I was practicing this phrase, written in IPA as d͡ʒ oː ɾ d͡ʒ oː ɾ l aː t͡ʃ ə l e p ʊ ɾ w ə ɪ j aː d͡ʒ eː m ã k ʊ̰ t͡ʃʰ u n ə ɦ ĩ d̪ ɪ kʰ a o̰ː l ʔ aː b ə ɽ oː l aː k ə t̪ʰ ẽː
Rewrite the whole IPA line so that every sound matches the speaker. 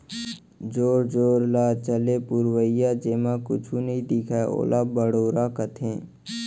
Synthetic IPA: d͡ʒ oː ɾ d͡ʒ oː ɾ l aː t͡ʃ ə l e p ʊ ɾ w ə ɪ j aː d͡ʒ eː m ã k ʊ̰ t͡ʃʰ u n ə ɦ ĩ d̪ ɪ kʰ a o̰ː l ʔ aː b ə ɽ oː ɾ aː k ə t̪ʰ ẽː